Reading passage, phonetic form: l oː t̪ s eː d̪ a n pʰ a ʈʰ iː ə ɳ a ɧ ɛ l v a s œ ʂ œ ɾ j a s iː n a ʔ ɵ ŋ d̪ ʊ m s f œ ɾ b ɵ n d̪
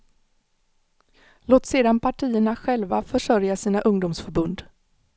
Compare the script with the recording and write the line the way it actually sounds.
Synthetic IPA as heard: l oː t̪ s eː d̪ a n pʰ a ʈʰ iː ə ɳ a ɧ ɛ l v a f œ ʂ œ ɾ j a s iː n a ʔ ɵ ŋ d̪ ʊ m s f œ ɾ b ɵ n d̪

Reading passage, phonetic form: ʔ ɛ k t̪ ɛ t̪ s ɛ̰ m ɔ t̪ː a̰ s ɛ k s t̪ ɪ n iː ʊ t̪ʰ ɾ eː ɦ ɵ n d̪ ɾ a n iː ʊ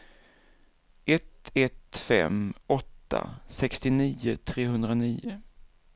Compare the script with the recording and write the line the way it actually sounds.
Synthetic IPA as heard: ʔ ɛ t̪ ɛ t̪ f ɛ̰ m ɔ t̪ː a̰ s ɛ k s t̪ ɪ n iː ʊ t̪ʰ ɾ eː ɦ ɵ n d̪ ɾ a n iː ʊ

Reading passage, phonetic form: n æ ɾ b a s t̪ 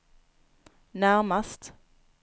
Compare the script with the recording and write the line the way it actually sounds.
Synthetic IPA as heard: n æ ɾ m a s t̪

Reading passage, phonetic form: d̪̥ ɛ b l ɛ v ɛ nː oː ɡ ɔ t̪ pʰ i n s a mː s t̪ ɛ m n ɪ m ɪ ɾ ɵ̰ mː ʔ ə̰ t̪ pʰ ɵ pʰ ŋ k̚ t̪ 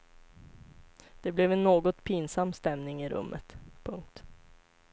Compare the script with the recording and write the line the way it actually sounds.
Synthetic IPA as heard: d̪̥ ɛ b l ɛ v ɛ nː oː ɡ ɔ t̪ pʰ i n s a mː s t̪ ɛ m n ɪ ŋ ɪ ɾ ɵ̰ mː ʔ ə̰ t̪ pʰ ɵ ŋ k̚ t̪

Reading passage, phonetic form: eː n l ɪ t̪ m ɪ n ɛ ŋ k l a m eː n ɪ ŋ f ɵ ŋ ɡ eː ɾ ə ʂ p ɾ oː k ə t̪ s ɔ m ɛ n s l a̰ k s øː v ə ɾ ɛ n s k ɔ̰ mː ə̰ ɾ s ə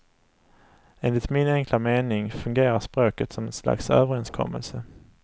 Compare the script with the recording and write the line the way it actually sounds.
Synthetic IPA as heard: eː n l ɪ t̪ m ɪ n ɛ ŋ k l a m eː n ɪ ŋ f ɵ ŋ ɡ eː ɾ a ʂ p ɾ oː k ə t̪ s ɔ m ɛ n s l a̰ k s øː v ə ɾ ɛ n s kʰ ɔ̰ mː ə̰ l s ə

